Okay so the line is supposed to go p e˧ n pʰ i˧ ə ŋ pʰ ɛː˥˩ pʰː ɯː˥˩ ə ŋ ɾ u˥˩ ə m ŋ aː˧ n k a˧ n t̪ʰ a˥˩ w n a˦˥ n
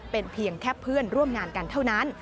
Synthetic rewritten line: p e˧ n pʰ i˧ ə ŋ kʰ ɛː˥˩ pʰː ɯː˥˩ ə n ɾ u˥˩ ə m ŋ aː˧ n k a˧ n t̪ʰ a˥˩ w n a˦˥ n